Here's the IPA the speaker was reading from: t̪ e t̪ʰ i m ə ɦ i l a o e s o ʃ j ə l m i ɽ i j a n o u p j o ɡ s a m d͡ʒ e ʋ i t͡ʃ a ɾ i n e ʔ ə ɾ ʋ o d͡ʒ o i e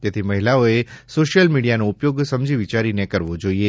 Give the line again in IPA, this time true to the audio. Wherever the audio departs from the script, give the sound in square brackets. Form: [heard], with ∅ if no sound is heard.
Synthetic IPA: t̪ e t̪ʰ i m ə ɦ i l a o e s o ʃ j ə l m i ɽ i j a n o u p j o ɡ s [ə] m d͡ʒ [i] ʋ i t͡ʃ a ɾ i n e [k] ə ɾ ʋ o d͡ʒ o i e